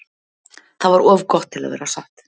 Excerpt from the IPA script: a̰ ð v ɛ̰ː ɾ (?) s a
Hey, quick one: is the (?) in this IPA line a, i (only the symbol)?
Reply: a